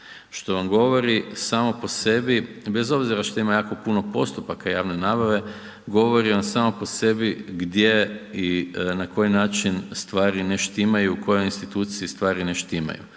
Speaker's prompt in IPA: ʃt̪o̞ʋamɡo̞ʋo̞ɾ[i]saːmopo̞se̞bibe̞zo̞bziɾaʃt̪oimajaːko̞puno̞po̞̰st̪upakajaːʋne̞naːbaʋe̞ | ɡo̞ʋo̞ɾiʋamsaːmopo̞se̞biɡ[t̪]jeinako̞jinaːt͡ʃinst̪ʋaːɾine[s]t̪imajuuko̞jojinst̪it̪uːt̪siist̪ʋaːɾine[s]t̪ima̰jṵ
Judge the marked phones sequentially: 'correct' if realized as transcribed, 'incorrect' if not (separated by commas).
correct, incorrect, incorrect, incorrect